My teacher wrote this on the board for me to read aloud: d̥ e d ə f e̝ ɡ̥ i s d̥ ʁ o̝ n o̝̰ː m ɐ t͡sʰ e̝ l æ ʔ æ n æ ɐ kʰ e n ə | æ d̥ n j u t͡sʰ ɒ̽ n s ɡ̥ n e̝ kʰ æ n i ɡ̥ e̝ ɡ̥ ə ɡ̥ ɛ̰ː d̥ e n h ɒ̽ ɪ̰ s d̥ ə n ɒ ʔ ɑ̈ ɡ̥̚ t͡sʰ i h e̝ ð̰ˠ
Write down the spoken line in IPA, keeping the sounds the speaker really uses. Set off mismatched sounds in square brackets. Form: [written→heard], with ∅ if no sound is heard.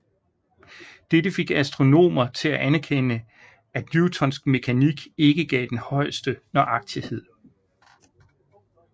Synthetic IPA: d̥ e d ə f e̝ ɡ̥ [i→æ] s d̥ ʁ o̝ n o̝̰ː m ɐ t͡sʰ e̝ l æ ʔ æ n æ ɐ kʰ e n ə | æ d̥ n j u t͡sʰ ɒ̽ n s ɡ̥ [n→m] e̝ kʰ æ n i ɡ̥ e̝ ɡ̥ ə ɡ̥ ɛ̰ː d̥ e n h ɒ̽ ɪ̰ s d̥ ə n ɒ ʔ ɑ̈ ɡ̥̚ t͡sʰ i h e̝ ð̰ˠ